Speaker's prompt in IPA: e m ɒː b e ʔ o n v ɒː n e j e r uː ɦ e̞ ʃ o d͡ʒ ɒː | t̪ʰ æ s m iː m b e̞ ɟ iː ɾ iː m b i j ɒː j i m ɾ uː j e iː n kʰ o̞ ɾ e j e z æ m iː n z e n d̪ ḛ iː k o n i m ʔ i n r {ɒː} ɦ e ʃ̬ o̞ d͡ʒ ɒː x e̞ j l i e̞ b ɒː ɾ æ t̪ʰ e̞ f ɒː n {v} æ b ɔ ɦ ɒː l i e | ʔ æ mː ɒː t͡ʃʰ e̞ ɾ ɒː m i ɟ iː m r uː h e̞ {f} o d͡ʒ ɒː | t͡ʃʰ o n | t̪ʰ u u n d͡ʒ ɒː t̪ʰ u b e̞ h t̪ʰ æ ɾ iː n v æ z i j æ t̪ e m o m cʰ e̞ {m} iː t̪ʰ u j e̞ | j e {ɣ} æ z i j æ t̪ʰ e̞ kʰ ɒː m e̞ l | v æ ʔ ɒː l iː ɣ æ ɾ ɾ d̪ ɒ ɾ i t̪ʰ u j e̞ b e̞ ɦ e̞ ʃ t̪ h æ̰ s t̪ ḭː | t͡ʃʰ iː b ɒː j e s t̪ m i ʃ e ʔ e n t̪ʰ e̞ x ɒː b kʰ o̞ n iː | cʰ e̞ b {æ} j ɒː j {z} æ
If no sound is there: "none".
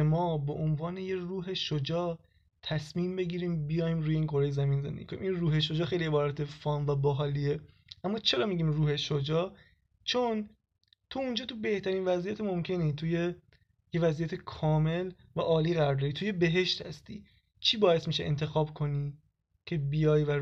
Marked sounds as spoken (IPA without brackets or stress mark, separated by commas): uː, v, ʃ, n, v, i, v